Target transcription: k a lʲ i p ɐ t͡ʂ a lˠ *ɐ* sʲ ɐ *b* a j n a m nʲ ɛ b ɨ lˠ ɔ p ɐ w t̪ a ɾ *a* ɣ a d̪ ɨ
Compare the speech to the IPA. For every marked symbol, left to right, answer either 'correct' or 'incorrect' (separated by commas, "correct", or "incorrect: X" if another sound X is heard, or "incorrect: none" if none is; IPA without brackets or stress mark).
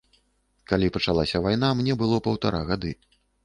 incorrect: a, incorrect: v, correct